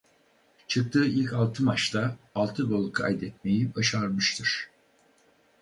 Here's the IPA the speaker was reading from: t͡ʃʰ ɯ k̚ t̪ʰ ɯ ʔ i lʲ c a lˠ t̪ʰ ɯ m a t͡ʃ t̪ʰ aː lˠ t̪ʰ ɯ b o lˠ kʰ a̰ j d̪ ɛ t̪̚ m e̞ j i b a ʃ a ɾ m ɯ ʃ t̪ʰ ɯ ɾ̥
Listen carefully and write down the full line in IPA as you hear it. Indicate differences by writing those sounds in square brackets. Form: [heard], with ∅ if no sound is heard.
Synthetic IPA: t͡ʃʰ ɯ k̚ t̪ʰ [ɯː] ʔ i lʲ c a lˠ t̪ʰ ɯ m a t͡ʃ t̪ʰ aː lˠ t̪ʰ ɯ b o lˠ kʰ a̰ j d̪ ɛ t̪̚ m e̞ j i b a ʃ a ɾ m ɯ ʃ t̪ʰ ɯ ɾ̥